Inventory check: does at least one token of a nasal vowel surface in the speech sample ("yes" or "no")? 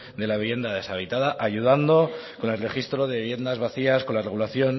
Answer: no